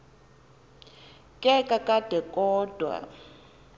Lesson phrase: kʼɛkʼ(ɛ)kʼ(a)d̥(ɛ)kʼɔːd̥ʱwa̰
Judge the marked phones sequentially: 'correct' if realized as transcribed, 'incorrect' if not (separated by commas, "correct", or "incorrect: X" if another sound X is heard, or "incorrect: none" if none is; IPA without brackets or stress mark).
incorrect: a, correct, correct